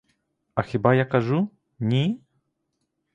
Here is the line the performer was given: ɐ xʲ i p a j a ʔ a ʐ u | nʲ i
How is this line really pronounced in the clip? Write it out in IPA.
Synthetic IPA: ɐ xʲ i b a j a k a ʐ u | nʲ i

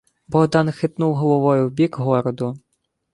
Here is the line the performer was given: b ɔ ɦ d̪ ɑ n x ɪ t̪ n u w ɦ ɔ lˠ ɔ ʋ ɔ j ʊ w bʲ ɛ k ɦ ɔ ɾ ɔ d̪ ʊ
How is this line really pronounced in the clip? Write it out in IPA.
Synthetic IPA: b ɔ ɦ d̪ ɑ n x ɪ t̪ n u w ɦ ɔ lˠ ɔ ʋ ɔ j ʊ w bʲ i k ɦ ɔ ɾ ɔ d̪ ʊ

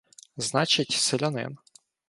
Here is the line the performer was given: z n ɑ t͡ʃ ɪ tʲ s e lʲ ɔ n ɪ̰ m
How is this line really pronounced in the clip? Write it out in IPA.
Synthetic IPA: z n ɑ t͡ʃ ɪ tʲ s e lʲ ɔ n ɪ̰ n

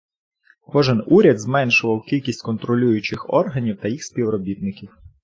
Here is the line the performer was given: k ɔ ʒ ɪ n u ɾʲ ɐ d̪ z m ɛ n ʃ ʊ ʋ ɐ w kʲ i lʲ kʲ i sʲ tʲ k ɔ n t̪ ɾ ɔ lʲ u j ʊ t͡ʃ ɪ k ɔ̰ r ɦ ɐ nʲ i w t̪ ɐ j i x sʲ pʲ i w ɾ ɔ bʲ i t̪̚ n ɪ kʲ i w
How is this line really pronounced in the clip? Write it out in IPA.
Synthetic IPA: k ɔ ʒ ɪ n u ɾʲ ɐ d̪ z m ɛ n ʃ ʊ ʋ ɐ w kʲ i lʲ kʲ i sʲ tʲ k ɔ n t̪ ɾ ɔ lʲ u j ʊ t͡ʃ ɪ x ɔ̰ r ɦ ɐ nʲ i w t̪ ɐ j i x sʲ pʲ i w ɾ ɔ bʲ i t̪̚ n ɪ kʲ i w

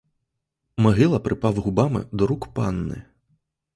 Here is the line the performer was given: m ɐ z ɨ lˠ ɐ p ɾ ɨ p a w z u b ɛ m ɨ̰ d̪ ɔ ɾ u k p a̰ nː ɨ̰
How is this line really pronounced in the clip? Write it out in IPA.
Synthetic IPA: m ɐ ɣ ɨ lˠ ɐ p ɾ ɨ p a w ɣ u b a m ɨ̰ d̪ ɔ ɾ u k p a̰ nː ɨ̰

